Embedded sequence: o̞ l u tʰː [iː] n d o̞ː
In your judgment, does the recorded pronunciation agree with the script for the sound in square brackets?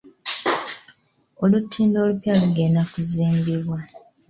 yes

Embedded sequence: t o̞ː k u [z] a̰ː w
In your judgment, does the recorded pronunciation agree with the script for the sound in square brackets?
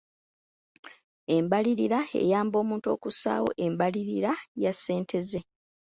no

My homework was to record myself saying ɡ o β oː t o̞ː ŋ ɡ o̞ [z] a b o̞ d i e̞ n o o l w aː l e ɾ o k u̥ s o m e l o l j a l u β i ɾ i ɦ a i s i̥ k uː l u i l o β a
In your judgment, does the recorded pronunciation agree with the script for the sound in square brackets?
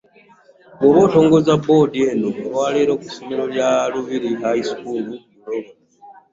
yes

